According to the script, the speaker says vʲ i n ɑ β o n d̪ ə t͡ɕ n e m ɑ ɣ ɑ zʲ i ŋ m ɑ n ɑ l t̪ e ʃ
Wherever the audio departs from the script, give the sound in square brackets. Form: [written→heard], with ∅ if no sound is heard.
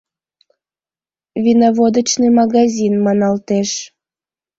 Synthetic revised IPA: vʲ i n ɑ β o [n→∅] d̪ ə t͡ɕ n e m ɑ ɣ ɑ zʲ i [ŋ→n] m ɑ n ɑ l t̪ e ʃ